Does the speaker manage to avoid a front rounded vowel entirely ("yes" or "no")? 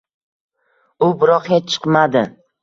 yes